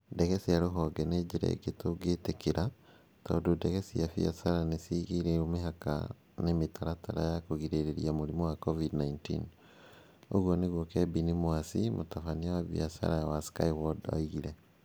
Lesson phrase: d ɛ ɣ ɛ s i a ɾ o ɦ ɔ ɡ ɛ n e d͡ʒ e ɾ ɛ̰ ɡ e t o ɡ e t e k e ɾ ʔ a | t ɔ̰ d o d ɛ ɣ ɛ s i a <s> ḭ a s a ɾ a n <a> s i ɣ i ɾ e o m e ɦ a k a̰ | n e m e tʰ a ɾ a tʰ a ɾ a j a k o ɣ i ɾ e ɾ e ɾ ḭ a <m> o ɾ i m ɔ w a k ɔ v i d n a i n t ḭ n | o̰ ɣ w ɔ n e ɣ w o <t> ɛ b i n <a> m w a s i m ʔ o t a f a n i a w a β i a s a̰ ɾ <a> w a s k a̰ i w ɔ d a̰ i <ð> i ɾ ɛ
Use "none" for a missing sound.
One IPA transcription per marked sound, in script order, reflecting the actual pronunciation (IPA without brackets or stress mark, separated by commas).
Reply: f, e, m, k, i, a, ɣ